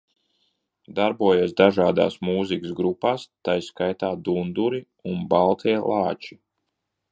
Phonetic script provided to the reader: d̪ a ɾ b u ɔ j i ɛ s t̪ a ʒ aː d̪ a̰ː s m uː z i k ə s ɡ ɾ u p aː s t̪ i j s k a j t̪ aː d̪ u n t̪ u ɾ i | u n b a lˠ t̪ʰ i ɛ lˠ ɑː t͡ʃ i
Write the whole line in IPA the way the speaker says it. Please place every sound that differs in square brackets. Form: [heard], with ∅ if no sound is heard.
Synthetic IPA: d̪ a ɾ b u ɔ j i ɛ s [d̪] a ʒ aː d̪ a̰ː s m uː z i k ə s ɡ ɾ u p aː s t̪ [a] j s k a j t̪ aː d̪ u n [d̪] u ɾ i | u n b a lˠ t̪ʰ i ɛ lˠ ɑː t͡ʃ i